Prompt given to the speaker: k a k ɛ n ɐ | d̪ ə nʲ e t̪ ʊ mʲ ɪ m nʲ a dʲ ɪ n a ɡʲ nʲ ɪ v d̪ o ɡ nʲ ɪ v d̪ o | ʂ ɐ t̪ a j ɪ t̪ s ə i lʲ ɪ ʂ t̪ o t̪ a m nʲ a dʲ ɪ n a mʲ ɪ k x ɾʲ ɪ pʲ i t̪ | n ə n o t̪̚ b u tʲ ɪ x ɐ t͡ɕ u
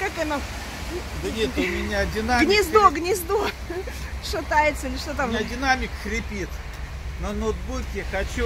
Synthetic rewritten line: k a k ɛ n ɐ | d̪ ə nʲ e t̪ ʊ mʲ ɪ nʲ a dʲ ɪ n a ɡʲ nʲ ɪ z d̪ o ɡ nʲ ɪ z d̪ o | ʂ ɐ t̪ a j ɪ t̪ s ə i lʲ ɪ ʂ t̪ o t̪ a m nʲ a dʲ ɪ n a mʲ ɪ k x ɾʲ ɪ pʲ i t̪ | n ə n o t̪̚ b u kʲ ɪ x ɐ t͡ɕ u